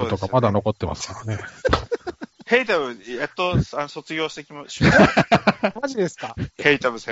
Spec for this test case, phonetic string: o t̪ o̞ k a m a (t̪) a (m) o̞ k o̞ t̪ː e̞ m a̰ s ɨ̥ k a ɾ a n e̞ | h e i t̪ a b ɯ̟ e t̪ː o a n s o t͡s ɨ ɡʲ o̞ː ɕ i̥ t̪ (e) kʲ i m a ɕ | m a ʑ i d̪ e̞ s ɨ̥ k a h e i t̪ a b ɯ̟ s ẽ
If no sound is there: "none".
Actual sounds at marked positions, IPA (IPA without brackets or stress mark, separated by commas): d̪, n, e